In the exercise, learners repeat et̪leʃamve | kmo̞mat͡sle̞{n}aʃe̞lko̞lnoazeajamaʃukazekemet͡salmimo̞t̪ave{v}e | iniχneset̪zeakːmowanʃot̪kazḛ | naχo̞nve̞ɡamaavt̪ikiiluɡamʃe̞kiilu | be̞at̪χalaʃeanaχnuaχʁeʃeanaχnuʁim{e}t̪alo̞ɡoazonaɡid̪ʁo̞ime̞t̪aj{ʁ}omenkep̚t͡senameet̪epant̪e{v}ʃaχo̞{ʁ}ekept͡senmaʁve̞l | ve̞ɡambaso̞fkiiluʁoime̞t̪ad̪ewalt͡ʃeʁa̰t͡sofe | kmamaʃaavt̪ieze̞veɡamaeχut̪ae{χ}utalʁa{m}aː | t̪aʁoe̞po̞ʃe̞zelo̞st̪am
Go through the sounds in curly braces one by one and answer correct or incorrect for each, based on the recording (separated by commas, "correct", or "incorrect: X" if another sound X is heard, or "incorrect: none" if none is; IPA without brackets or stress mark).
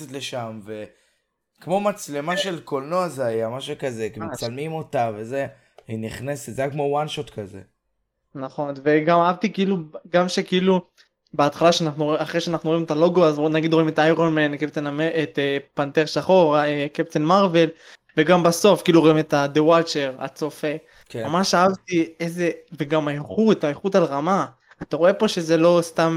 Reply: incorrect: m, incorrect: z, correct, correct, incorrect: ʁ, correct, correct, correct